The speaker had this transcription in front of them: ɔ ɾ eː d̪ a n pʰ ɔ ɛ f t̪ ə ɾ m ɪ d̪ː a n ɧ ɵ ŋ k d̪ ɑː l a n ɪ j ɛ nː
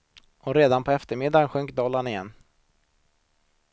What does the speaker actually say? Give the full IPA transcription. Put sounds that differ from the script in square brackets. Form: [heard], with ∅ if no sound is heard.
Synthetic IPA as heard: ɔ ɾ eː d̪ a n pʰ ɔ ɛ f t̪ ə ɾ m ɪ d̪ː a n ɧ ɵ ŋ k d̪ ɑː l a n ɪ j ɛ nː